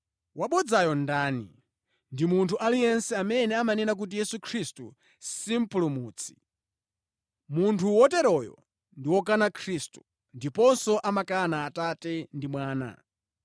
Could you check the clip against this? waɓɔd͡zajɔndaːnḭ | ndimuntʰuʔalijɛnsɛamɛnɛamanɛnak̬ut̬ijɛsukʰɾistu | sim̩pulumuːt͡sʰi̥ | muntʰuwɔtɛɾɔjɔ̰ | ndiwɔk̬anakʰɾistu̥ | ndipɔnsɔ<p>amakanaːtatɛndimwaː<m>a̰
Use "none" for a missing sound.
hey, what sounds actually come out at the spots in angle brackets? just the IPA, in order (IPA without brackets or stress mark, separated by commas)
ʔ, n